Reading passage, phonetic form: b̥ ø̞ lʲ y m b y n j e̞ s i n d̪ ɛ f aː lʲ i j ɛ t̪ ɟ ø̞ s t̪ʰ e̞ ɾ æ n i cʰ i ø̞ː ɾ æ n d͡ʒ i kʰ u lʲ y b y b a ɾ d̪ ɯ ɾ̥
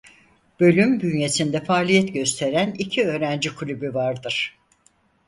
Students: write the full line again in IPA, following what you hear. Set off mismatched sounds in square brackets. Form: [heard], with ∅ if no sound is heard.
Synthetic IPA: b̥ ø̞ lʲ y m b y n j e̞ s i n d̪ ɛ f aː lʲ i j ɛ t̪ ɟ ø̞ s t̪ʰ e̞ ɾ æ n i cʰ i ø̞ː ɾ æ n d͡ʒ i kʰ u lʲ y b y [v] a ɾ d̪ ɯ ɾ̥